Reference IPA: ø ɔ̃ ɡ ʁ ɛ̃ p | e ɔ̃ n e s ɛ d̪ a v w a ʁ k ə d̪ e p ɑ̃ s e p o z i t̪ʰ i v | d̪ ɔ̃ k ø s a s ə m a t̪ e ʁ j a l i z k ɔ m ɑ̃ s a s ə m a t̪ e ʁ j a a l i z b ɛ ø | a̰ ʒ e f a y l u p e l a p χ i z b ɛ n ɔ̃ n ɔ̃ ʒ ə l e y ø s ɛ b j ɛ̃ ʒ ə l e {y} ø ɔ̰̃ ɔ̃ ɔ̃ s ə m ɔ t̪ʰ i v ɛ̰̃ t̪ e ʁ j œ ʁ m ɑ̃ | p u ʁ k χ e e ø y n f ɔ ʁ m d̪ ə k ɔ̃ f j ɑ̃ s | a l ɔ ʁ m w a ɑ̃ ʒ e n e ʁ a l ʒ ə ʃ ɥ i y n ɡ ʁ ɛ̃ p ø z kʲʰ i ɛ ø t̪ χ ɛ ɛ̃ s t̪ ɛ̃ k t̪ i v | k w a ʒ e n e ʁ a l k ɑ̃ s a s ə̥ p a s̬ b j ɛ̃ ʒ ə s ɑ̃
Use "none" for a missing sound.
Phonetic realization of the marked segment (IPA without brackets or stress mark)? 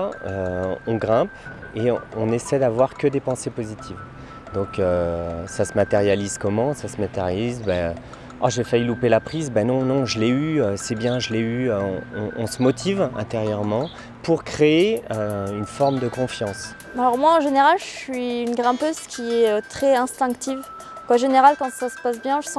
y